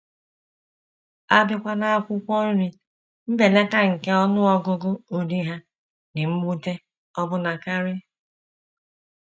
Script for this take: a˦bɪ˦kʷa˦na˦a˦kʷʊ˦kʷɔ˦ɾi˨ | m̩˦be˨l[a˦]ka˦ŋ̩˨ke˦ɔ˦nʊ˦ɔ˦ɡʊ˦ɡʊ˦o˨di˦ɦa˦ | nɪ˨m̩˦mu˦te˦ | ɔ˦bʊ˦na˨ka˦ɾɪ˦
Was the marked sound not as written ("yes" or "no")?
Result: yes